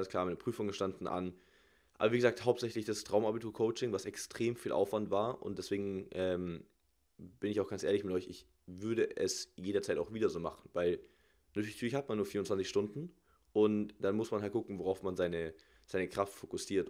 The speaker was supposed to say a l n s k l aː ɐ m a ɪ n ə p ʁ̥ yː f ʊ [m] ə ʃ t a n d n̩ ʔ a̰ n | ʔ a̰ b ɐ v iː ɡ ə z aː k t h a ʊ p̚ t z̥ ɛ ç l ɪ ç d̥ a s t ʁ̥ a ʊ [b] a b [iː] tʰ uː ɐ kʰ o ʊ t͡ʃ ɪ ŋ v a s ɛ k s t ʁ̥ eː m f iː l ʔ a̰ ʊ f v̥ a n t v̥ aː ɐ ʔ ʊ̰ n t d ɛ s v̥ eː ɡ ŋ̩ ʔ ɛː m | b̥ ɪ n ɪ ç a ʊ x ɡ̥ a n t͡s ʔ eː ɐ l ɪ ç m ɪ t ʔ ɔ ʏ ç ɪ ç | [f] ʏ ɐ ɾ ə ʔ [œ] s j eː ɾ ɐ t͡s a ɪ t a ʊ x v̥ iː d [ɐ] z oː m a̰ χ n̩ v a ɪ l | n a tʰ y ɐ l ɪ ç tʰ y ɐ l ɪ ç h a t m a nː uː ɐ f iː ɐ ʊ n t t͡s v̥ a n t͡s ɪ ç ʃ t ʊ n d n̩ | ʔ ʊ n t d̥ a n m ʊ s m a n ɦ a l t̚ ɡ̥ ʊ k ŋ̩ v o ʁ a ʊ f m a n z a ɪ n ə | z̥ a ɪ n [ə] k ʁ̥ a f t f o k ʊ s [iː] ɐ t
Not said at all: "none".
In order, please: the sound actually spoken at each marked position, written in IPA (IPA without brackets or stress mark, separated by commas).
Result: ŋ, m, i, v, ɛ, ɐ, ə, iː